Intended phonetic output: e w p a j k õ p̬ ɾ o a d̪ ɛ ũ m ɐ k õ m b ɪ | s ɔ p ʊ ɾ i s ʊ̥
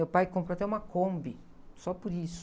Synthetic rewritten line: e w p a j k õ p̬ ɾ o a t̪ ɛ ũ m ɐ k õ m b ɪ | s ɔ p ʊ ɾ i s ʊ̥